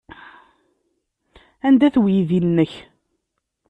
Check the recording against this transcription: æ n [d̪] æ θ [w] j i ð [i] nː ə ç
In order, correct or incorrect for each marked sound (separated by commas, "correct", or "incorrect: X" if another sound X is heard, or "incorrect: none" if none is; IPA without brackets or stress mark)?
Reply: correct, correct, correct